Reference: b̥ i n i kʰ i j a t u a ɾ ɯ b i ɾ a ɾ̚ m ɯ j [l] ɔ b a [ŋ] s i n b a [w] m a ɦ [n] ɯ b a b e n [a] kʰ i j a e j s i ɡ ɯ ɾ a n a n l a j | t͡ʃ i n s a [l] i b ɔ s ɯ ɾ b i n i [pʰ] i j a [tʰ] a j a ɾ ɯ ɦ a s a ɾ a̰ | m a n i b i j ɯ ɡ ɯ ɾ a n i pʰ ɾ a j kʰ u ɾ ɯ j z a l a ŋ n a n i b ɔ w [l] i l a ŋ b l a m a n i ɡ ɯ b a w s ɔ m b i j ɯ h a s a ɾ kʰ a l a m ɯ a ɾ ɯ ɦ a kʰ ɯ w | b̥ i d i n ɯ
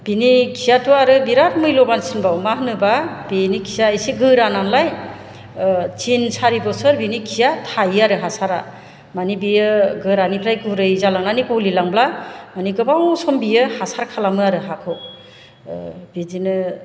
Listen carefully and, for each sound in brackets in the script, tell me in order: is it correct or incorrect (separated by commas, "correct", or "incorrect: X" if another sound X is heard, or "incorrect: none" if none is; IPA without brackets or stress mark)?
correct, incorrect: n, correct, correct, incorrect: i, incorrect: ɾ, incorrect: kʰ, correct, correct